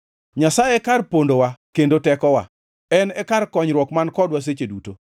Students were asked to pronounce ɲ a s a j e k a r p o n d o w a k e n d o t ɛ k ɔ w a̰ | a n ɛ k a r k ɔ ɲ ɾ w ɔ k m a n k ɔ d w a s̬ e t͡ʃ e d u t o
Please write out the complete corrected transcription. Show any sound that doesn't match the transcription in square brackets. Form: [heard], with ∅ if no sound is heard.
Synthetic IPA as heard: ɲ a s a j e k a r p o n d o w a k e n d o t ɛ k ɔ w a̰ | [ɛ] n ɛ k a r k ɔ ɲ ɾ w ɔ k m a n k ɔ d w a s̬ e t͡ʃ e d u t o